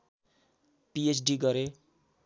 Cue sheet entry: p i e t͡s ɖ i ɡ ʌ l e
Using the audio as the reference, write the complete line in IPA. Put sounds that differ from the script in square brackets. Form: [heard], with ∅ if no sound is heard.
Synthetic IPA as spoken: p i e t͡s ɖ i ɡ ʌ [ɾ] e